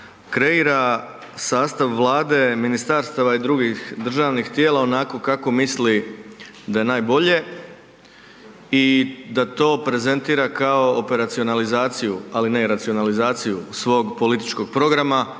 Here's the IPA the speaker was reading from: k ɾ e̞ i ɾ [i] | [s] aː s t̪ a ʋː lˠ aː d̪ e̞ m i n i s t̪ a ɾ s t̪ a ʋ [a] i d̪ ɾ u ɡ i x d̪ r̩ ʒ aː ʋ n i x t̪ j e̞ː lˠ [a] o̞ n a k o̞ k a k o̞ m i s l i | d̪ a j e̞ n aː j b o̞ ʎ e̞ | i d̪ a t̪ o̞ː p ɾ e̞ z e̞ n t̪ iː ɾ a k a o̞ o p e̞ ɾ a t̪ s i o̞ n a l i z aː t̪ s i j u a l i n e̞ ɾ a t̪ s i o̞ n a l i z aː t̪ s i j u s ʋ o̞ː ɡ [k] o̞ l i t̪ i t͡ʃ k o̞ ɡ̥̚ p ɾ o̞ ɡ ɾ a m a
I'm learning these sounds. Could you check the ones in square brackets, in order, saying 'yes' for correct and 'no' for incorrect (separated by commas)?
no, yes, yes, yes, no